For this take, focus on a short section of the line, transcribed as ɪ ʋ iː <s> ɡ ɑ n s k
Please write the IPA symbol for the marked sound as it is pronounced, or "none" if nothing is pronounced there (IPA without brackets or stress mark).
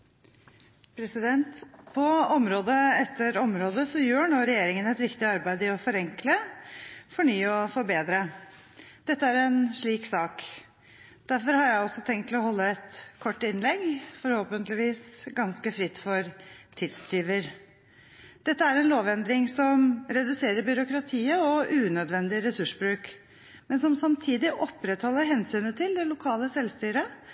s